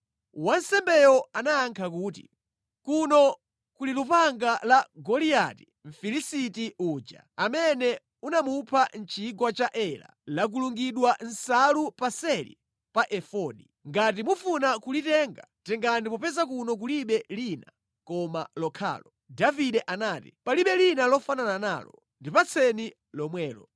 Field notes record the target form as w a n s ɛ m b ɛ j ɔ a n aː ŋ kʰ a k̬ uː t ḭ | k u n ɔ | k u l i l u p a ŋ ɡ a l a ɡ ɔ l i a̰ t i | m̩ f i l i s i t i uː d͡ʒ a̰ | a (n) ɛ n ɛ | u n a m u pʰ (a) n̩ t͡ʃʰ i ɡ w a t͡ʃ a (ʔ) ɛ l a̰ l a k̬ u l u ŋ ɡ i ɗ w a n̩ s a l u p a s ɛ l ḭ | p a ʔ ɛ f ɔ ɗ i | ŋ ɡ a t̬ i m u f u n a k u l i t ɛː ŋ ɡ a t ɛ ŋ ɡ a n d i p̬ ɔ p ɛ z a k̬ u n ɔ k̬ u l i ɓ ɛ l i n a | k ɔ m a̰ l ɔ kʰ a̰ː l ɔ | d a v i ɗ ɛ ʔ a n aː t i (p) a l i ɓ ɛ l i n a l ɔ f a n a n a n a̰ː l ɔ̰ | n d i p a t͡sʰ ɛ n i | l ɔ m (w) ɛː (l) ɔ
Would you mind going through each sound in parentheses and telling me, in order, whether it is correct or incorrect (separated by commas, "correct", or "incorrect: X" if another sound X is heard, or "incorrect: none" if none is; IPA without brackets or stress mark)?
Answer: incorrect: m, correct, correct, correct, correct, correct